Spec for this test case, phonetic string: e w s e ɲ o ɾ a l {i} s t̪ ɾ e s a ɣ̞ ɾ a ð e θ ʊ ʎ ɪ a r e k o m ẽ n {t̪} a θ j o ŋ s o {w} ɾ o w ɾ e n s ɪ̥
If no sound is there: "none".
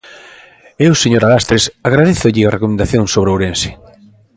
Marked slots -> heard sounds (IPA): a, d̪, β

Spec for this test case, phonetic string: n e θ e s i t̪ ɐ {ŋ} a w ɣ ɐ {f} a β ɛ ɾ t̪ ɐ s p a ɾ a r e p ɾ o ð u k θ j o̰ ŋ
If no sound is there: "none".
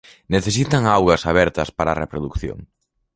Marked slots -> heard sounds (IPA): ŋ, s

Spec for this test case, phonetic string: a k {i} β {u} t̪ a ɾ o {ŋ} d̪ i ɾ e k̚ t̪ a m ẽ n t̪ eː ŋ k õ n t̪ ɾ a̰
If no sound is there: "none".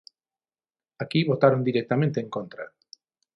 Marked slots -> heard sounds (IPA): i, o, n

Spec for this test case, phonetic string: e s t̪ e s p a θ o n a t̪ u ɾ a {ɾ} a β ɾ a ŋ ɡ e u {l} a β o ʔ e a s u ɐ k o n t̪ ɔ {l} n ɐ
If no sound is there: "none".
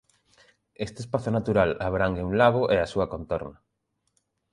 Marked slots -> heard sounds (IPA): l, l, ɾ

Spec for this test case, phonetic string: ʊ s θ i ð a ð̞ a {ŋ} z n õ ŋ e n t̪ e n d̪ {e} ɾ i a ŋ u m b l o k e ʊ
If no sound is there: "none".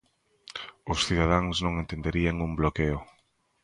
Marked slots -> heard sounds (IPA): ŋ, e

